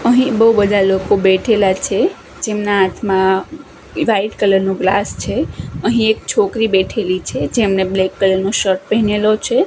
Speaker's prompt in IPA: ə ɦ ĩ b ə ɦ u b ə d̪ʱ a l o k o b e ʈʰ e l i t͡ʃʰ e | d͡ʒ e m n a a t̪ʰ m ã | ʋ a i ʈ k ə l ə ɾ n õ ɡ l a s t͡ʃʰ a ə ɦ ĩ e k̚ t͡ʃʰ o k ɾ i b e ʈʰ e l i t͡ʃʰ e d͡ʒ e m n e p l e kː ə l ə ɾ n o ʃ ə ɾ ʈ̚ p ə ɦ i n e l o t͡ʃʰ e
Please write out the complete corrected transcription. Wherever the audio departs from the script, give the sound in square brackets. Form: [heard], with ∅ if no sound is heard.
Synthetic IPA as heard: ə ɦ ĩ b ə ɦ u b ə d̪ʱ a l o k o b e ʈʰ e l [a] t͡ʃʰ e | d͡ʒ e m n a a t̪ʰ m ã | ʋ a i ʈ k ə l ə ɾ n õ ɡ l a s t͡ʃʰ [e] ə ɦ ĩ e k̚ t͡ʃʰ o k ɾ i b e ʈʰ e l i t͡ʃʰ e d͡ʒ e m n e [b] l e kː ə l ə ɾ n o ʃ ə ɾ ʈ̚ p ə ɦ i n e l o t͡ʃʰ e